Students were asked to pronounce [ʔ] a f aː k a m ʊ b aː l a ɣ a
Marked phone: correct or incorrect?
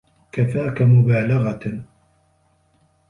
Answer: incorrect